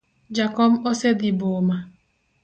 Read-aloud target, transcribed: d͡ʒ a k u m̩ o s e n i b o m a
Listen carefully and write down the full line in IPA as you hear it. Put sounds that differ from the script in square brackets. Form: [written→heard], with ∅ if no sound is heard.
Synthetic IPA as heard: d͡ʒ a k [u→ɔ] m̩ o s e [n→d] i b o m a